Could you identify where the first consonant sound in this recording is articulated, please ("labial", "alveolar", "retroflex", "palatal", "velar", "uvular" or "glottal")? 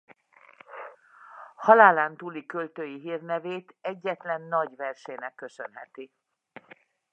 glottal